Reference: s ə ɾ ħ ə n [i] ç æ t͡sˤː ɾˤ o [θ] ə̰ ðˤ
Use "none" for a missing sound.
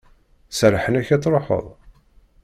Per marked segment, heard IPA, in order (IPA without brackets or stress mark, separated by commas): æ, ħ